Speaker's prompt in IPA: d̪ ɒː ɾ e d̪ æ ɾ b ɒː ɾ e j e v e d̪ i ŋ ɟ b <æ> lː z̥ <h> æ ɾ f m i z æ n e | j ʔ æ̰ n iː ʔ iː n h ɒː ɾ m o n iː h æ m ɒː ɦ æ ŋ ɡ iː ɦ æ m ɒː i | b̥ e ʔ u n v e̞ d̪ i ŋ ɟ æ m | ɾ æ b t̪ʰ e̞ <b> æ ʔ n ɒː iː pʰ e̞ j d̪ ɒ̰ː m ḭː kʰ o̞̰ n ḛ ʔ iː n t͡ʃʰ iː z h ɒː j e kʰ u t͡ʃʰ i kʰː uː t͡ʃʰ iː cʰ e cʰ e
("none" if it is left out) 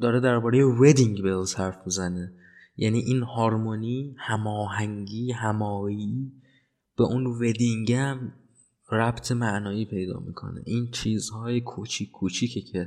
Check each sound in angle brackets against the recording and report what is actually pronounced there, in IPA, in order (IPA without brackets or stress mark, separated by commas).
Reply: e, h, m